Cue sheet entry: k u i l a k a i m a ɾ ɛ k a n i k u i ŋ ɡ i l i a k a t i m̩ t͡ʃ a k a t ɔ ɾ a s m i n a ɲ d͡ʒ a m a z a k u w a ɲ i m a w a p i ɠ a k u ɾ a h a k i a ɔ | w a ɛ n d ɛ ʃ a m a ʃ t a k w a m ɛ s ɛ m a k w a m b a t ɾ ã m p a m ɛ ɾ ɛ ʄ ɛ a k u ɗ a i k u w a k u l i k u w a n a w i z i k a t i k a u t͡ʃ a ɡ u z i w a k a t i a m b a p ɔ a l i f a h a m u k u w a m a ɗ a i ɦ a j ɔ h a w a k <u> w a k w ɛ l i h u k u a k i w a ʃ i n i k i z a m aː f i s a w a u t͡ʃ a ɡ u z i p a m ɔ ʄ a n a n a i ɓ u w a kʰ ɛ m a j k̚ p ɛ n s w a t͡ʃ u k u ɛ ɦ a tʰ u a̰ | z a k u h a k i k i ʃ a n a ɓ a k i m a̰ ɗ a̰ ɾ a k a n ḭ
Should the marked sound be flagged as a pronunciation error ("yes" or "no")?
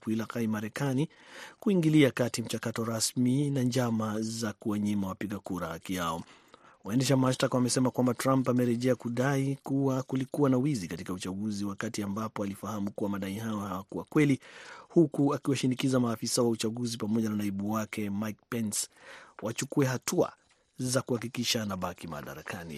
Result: no